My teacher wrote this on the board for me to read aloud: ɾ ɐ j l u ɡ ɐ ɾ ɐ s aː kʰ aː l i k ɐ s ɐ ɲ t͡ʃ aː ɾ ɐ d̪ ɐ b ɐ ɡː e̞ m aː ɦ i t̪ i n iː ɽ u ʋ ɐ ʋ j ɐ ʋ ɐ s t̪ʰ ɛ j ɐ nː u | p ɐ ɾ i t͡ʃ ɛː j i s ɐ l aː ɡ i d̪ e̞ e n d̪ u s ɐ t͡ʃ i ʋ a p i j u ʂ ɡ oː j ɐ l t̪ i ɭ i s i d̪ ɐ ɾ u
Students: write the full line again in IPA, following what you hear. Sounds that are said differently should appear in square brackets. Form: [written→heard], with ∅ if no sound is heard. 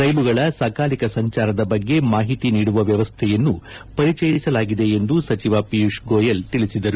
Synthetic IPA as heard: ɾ ɐ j l u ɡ ɐ [ɾ→ɭ] ɐ s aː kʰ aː l i k ɐ s ɐ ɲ t͡ʃ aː ɾ ɐ d̪ ɐ b ɐ ɡː e̞ m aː ɦ i t̪ i n iː ɽ u ʋ ɐ ʋ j ɐ ʋ ɐ s t̪ʰ ɛ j ɐ nː u | p ɐ ɾ i t͡ʃ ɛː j i s ɐ l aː ɡ i d̪ e̞ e n d̪ u s ɐ t͡ʃ i ʋ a p i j u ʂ ɡ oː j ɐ l t̪ i ɭ i s i d̪ ɐ ɾ u

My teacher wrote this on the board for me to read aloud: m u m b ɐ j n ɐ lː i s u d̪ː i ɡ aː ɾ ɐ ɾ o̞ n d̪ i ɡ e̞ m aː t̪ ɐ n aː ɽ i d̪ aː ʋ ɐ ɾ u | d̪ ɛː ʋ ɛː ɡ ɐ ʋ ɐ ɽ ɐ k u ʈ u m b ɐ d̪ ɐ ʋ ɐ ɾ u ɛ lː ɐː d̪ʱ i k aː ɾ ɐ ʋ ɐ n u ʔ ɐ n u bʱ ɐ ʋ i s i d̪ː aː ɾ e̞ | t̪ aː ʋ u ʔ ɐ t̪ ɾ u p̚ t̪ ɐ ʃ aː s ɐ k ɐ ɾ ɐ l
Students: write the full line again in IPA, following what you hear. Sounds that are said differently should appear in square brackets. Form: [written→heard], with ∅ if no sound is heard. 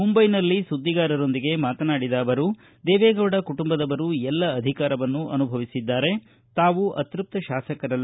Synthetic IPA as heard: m u m b ɐ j n ɐ lː i s u d̪ː i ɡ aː ɾ ɐ ɾ o̞ n d̪ i ɡ e̞ m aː t̪ ɐ n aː ɽ i d̪ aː ʋ ɐ ɾ u | d̪ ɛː ʋ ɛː ɡ ɐ ʋ ɐ ɽ ɐ k u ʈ u m b ɐ d̪ ɐ ʋ ɐ ɾ u ɛ lː ɐː d̪ʱ i k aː ɾ ɐ ʋ ɐ [n→nː] u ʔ ɐ n u bʱ ɐ ʋ i s i d̪ː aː ɾ e̞ | t̪ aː ʋ u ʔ ɐ t̪ ɾ u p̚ t̪ ɐ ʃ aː s ɐ k ɐ ɾ ɐ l

